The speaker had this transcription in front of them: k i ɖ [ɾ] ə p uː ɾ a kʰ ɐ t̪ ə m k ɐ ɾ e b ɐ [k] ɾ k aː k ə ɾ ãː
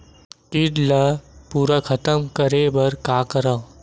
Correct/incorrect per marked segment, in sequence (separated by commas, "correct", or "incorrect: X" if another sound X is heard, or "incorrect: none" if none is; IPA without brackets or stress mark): incorrect: l, incorrect: none